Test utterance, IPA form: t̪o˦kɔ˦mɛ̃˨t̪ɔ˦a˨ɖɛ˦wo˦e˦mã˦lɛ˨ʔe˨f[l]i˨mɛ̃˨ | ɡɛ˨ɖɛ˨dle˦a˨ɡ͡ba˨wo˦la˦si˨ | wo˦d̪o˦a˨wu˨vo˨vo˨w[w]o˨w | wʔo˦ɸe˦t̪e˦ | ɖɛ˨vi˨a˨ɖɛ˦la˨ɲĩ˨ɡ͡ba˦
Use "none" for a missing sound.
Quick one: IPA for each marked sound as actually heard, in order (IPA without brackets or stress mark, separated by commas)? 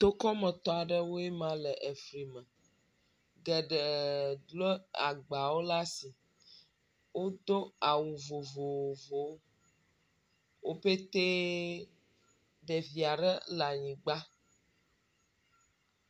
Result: ɾ, v